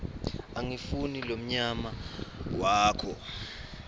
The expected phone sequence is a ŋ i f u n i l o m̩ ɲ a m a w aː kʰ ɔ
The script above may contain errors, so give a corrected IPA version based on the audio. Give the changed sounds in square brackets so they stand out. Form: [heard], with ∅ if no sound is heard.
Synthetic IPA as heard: a ŋ i f u n i l o m̩ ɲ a m a w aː kʰ ɔ